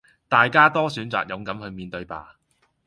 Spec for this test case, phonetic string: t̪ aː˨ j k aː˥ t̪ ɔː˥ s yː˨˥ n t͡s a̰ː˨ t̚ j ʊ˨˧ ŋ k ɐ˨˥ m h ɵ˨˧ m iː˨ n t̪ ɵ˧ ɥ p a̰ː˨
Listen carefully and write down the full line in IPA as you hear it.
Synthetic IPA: t̪ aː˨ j k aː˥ t̪ ɔː˥ s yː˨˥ n t͡s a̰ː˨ k̚ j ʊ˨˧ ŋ k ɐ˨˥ m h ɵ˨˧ m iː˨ n t̪ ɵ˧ ɥ p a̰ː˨